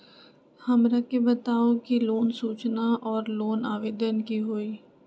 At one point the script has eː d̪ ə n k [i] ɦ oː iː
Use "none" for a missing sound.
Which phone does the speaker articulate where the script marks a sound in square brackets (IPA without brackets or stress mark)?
i